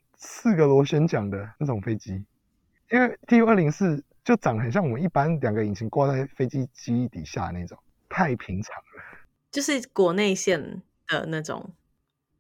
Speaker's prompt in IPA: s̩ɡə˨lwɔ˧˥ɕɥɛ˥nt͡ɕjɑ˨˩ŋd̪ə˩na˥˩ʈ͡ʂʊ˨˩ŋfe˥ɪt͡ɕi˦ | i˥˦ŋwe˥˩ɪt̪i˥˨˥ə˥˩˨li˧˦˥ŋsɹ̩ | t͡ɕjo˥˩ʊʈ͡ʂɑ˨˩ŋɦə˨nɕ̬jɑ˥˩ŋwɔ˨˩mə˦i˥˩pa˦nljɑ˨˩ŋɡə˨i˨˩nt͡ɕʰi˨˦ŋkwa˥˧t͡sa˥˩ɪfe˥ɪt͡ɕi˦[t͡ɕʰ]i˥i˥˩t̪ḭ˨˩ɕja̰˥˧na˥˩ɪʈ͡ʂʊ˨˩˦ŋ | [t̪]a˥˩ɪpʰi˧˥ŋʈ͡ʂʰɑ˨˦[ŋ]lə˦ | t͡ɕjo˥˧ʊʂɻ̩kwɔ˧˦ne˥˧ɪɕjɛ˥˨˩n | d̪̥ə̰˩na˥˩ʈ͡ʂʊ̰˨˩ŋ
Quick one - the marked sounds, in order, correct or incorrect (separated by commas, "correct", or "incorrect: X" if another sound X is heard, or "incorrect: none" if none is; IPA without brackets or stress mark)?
incorrect: t͡ɕ, incorrect: t̪ʰ, correct